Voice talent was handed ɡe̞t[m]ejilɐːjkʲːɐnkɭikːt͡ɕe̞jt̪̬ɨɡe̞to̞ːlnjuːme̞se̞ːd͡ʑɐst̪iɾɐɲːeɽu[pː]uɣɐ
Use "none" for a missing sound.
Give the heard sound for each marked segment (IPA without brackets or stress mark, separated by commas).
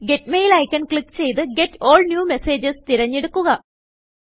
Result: m, kː